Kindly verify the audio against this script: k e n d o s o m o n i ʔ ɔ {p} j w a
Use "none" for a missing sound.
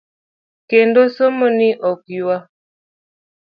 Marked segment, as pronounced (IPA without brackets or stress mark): k